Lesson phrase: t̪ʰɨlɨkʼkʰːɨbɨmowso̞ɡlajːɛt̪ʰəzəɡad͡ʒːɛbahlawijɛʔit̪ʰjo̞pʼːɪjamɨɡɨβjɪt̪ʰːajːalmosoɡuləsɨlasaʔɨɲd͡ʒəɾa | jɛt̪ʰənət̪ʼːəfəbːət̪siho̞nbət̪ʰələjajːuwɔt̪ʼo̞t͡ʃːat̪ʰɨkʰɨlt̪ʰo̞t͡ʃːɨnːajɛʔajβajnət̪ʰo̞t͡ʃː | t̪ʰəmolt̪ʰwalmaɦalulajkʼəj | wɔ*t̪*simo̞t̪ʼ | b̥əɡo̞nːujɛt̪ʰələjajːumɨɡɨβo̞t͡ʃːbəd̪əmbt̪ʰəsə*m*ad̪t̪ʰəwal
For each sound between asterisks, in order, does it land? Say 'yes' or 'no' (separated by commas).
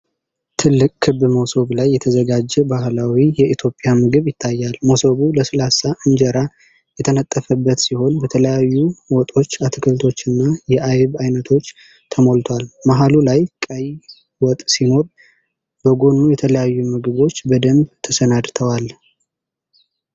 no, no